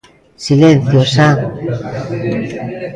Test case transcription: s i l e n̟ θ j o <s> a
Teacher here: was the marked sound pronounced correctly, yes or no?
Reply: yes